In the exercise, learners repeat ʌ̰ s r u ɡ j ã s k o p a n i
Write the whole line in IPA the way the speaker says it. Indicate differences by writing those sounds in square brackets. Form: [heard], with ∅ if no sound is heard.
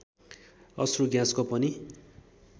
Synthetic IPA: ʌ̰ s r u ɡ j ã s k o p [ʌ] n i